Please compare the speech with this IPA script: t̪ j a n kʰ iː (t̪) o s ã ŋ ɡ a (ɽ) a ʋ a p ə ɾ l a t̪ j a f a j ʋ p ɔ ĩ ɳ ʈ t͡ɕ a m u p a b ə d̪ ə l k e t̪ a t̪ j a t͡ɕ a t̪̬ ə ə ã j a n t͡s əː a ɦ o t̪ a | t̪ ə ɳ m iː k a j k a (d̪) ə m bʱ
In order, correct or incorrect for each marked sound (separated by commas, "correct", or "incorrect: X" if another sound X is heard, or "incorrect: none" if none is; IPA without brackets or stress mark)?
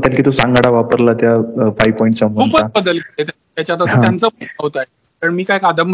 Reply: correct, correct, correct